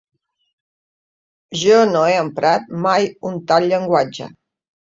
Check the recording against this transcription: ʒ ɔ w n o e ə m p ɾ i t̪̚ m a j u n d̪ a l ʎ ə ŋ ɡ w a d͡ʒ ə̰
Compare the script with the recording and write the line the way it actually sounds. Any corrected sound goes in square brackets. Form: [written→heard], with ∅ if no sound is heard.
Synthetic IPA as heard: ʒ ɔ [w→∅] n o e ə m p ɾ [i→a] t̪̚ m a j u n [d̪→t̪] a l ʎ ə ŋ ɡ w a d͡ʒ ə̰

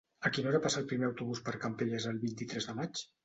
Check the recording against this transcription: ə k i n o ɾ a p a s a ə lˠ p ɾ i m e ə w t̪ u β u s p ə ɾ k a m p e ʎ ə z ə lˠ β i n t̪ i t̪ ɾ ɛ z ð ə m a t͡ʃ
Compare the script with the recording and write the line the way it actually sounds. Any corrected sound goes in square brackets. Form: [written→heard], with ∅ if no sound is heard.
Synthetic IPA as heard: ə k i n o ɾ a p a s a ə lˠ p ɾ i m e ə w t̪ u β u s p ə ɾ k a m p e ʎ ə z ə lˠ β i n t̪ i t̪ ɾ ɛ z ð ə m a t͡ʃ

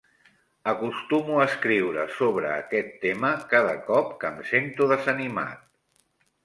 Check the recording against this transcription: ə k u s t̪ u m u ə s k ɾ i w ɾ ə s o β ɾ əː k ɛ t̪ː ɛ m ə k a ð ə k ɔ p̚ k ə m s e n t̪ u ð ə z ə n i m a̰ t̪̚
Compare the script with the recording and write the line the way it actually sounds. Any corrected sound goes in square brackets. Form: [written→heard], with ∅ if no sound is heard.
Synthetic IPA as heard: ə k u s t̪ u m u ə s k ɾ i w ɾ ə s o β ɾ əː k ɛ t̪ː [ɛ→e] m ə k a ð ə k ɔ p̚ k ə m s e n t̪ u ð ə z ə n i m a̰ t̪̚

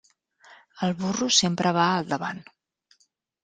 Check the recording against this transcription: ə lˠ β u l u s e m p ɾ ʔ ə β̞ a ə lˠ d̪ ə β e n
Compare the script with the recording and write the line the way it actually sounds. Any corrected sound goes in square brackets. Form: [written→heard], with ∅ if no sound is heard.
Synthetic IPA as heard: ə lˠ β u [l→r] u s e m p ɾ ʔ ə β̞ a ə lˠ d̪ ə β [e→a] n

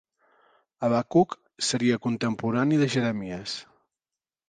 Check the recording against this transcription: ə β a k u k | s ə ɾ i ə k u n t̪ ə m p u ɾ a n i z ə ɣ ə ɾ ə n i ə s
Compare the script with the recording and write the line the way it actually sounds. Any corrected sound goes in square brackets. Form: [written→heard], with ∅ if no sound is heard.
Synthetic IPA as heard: ə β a k u k | s ə ɾ i ə k u n t̪ ə m p u ɾ a n i [z→ð] ə [ɣ→ʒ] ə ɾ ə [n→m] i ə s

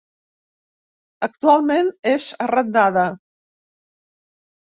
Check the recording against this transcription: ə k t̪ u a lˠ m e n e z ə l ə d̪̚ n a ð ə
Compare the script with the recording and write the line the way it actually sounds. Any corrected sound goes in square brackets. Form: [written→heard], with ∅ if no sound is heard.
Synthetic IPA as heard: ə k t̪ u a lˠ m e n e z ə [l→r] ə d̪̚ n a ð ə

